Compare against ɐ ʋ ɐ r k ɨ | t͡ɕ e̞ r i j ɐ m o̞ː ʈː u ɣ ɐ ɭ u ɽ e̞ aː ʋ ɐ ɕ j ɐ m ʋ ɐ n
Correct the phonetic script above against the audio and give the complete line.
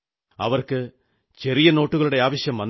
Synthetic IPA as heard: ɐ ʋ ɐ r k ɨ | t͡ɕ e̞ r i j ɐ n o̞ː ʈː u ɣ ɐ ɭ u ɽ e̞ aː ʋ ɐ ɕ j ɐ m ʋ ɐ n